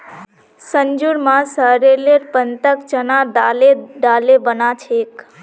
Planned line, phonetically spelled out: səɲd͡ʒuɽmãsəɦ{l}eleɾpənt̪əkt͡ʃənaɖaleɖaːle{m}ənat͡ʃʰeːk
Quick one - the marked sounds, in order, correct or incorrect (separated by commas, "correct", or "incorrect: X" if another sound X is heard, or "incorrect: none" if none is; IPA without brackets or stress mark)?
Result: incorrect: ɾ, incorrect: b